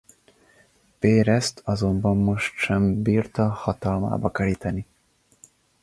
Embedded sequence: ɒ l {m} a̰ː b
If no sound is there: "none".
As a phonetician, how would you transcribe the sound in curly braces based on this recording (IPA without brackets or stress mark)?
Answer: m